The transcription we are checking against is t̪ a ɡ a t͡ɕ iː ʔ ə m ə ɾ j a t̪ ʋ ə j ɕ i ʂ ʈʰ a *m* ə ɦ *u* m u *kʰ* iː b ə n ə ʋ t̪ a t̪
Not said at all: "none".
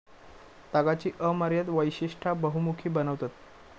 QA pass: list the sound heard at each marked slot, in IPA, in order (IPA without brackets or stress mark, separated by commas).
b, u, kʰ